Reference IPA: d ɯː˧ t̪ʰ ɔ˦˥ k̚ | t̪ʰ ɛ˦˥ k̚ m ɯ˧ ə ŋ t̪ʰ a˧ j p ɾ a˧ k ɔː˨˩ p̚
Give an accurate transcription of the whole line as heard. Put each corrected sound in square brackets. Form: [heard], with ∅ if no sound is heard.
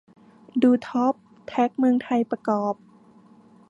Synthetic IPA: d [uː˧] t̪ʰ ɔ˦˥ [p̚] | t̪ʰ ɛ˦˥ k̚ m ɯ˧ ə ŋ t̪ʰ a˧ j p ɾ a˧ k ɔː˨˩ p̚